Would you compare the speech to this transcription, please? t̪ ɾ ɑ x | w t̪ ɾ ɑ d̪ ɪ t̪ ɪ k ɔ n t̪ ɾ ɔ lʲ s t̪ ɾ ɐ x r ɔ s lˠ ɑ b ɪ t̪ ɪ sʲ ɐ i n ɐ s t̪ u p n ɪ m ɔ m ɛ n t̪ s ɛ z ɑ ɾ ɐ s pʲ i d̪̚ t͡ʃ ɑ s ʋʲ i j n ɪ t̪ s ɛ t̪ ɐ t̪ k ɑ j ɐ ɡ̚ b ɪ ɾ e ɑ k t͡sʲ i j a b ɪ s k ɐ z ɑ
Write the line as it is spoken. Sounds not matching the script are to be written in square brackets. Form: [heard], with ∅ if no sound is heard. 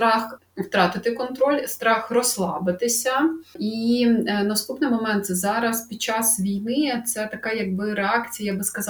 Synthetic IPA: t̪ ɾ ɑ x | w t̪ ɾ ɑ [t̪] ɪ t̪ ɪ k ɔ n t̪ ɾ ɔ lʲ s t̪ ɾ [ɑ] x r ɔ s lˠ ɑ b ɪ t̪ ɪ sʲ ɐ i n ɐ s t̪ u p n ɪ m ɔ m ɛ n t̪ s ɛ z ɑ ɾ ɐ s pʲ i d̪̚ t͡ʃ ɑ s ʋʲ i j n ɪ t̪ s ɛ t̪ ɐ [∅] k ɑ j ɐ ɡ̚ b ɪ ɾ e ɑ k t͡sʲ i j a b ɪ s k ɐ z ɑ